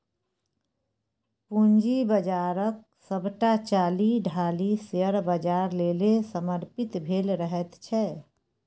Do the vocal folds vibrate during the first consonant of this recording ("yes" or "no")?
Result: no